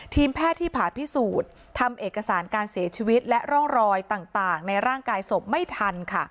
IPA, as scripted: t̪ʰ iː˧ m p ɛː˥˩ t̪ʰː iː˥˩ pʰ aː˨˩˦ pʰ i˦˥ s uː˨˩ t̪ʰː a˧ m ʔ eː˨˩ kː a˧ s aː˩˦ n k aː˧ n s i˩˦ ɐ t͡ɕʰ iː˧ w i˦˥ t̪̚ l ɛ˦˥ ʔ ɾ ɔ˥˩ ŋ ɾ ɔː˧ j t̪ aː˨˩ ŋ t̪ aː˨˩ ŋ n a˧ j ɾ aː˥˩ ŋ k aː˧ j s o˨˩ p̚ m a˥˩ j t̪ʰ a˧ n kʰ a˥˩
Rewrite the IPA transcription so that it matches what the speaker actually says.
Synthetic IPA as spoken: t̪ʰ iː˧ m pʰ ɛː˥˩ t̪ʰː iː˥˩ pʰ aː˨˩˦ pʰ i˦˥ s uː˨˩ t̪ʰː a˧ m ʔ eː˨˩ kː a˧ s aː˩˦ n k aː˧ n s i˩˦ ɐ t͡ɕʰ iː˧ w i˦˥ t̪̚ l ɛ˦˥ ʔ ɾ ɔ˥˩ ŋ ɾ ɔː˧ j t̪ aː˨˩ ŋ t̪ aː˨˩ ŋ n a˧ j ɾ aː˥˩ ŋ k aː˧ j s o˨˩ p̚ m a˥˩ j t̪ʰ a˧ n kʰ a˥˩